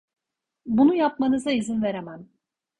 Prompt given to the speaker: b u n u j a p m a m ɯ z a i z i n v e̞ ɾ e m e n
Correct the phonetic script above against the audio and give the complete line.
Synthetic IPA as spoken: b u n u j a p m a n ɯ z a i z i n v e̞ ɾ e m æ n